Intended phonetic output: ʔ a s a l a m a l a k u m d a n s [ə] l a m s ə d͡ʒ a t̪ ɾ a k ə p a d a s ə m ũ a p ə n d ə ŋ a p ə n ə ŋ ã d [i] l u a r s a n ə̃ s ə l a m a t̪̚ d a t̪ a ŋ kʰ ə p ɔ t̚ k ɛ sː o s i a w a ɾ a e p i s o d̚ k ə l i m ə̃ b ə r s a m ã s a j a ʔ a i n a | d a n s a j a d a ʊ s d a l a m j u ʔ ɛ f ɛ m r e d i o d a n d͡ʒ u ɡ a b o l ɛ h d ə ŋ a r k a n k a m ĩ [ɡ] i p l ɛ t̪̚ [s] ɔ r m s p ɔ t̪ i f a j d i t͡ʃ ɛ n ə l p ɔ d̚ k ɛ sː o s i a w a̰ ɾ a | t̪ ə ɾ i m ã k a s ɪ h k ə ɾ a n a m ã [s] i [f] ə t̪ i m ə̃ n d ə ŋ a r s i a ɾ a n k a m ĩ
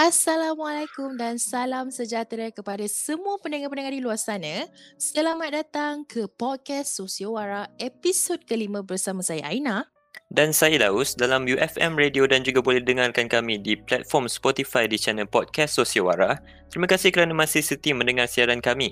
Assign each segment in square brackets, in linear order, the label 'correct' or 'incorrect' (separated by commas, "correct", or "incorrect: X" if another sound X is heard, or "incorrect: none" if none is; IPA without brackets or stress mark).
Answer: incorrect: a, correct, incorrect: d, incorrect: f, correct, incorrect: s